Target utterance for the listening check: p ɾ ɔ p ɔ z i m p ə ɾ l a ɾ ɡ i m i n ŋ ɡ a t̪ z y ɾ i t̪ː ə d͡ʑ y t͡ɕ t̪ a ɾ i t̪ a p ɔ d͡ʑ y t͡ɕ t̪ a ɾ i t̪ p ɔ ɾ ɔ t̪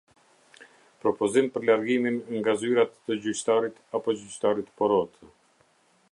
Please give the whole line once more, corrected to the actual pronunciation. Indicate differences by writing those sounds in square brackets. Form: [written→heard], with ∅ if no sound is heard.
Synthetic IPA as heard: p ɾ ɔ p ɔ z i m p ə ɾ l a ɾ ɡ i m i n ŋ ɡ a [t̪→∅] z y ɾ [i→a] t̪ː ə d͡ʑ y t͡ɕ t̪ a ɾ i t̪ a p ɔ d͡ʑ y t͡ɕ t̪ a ɾ i t̪ p ɔ ɾ ɔ t̪